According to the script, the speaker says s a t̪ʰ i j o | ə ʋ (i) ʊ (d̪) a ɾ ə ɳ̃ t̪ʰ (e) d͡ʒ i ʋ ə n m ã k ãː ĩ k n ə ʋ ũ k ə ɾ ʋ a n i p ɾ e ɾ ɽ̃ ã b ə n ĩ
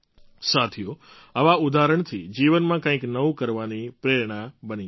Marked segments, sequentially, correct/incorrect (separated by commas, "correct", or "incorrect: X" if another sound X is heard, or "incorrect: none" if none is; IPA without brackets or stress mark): incorrect: a, correct, incorrect: i